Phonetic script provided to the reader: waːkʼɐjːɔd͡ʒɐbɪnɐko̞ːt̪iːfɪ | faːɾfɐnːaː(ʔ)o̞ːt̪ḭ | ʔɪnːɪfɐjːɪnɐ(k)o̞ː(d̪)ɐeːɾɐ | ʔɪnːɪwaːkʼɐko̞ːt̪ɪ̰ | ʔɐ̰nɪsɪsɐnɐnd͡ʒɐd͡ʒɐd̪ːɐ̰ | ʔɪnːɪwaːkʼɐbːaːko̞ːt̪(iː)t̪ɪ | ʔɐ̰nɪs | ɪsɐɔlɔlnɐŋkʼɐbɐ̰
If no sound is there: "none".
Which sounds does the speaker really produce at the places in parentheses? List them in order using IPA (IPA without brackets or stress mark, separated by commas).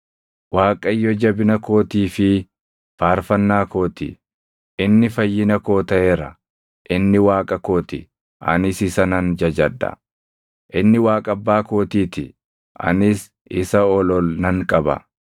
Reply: k, k, t̪, iː